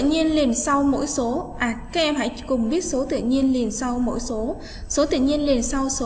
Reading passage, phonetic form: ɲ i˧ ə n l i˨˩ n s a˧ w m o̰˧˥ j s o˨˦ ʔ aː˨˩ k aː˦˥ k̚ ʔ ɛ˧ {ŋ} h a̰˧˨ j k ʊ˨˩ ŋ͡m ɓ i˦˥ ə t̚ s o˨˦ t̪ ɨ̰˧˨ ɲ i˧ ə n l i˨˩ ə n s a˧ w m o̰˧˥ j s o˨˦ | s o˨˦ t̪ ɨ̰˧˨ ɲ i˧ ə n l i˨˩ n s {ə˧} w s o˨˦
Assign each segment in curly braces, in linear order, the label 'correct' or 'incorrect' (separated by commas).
incorrect, incorrect